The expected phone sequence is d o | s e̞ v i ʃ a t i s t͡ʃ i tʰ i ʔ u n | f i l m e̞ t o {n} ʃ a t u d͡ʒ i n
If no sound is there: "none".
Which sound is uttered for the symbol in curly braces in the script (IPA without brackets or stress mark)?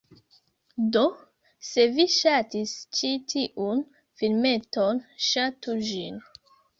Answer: n